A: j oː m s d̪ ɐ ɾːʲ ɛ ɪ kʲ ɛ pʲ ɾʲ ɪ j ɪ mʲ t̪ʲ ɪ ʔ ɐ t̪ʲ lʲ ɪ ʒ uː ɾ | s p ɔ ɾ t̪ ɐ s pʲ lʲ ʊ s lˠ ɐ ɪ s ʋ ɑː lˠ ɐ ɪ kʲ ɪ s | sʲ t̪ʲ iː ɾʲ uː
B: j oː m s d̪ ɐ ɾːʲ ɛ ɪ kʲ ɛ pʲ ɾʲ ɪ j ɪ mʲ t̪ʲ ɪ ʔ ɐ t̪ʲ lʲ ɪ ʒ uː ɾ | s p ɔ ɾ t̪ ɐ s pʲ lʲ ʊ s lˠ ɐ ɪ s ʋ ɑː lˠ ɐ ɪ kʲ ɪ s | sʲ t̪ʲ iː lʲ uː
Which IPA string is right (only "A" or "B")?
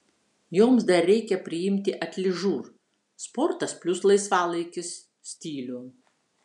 B